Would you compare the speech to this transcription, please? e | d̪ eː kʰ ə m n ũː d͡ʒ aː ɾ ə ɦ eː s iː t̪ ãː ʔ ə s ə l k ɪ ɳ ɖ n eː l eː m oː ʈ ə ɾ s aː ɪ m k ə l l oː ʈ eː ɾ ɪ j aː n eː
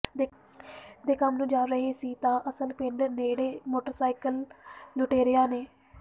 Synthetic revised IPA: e | d̪ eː k ə m n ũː d͡ʒ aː ɾ ə ɦ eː s iː t̪ ãː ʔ ə s ə l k ɪ ɳ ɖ n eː ɽ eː m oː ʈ ə ɾ s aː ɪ k ə l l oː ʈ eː ɾ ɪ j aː n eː